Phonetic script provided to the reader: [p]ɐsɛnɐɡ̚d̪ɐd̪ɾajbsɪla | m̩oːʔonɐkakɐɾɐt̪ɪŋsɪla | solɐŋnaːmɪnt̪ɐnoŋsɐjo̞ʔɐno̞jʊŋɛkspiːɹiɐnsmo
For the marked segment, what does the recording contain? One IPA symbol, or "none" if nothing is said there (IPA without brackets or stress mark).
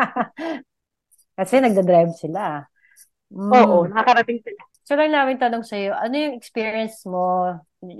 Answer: k